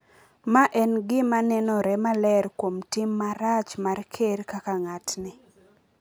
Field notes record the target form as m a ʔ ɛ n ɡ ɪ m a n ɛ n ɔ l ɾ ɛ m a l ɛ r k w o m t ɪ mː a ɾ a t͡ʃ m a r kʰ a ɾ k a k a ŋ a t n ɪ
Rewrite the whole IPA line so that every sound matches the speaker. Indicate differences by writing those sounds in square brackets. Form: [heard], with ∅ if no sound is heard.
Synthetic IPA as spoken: m a ʔ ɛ n ɡ ɪ m a n ɛ n ɔ [∅] ɾ ɛ m a l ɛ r k w o m t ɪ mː a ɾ a t͡ʃ m a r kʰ [e] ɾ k a k a ŋ a t n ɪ